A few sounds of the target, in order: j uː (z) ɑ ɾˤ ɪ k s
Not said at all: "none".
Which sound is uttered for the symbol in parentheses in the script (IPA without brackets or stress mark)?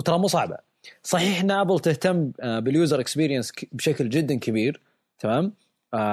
z